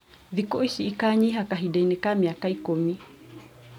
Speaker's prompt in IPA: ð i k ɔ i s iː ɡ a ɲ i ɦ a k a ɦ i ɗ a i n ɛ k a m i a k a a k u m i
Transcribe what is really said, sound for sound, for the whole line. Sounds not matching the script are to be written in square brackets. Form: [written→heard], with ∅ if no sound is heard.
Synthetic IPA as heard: ð i k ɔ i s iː [ɡ→k] a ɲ i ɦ a k a ɦ i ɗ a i n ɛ k a m i a k a [a→i] k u m i